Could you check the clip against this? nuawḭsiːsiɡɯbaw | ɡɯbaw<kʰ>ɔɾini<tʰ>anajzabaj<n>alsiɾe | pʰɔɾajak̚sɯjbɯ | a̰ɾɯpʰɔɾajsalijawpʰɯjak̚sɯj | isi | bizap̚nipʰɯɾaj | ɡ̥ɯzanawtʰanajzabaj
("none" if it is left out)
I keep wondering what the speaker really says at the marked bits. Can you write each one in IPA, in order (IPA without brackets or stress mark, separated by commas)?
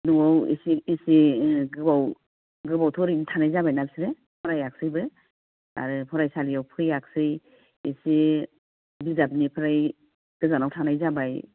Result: tʰ, tʰ, n